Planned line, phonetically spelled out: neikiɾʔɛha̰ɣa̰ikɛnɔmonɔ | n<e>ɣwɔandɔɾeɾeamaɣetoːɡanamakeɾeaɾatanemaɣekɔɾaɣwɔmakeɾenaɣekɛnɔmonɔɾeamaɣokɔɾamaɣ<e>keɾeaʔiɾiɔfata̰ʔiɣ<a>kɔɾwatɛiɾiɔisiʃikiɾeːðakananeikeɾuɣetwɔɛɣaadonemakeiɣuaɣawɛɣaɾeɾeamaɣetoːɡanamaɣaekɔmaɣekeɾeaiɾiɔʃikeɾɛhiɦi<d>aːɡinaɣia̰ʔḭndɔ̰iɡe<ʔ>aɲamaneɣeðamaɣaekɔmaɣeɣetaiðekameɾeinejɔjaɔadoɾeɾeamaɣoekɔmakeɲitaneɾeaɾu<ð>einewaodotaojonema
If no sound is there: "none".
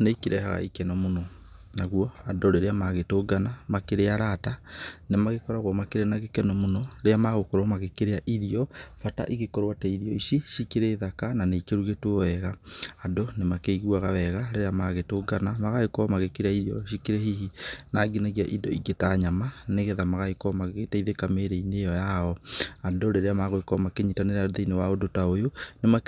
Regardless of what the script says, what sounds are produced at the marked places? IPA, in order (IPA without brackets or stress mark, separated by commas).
a, e, e, n, t, ð